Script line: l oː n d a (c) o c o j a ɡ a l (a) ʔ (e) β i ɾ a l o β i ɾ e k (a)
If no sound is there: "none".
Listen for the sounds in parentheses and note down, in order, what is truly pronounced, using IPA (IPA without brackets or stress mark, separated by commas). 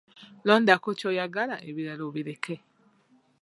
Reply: k, a, e, e